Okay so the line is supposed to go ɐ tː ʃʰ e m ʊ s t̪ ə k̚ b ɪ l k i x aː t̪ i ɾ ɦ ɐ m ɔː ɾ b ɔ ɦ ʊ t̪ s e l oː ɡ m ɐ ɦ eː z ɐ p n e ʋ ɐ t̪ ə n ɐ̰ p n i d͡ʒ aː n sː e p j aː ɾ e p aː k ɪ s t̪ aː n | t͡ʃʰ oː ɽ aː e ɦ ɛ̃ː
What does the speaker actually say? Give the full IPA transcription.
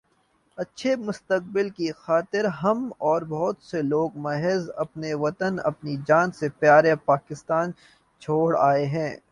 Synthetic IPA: ɐ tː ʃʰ e m ʊ s t̪ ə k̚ b ɪ l k i x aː t̪ ɪ ɾ ɦ ɐ m ɔː ɾ b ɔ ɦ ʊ t̪ s e l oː ɡ m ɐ ɦ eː z ɐ p n e ʋ ɐ t̪ ə n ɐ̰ p n i d͡ʒ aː n s e p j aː ɾ e p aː k ɪ s t̪ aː n | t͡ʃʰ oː ɽ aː e ɦ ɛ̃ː